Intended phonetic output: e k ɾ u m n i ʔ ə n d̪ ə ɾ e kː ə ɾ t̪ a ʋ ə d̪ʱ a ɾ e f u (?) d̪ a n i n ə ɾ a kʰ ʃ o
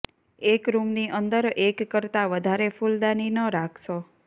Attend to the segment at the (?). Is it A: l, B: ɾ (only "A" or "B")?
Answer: A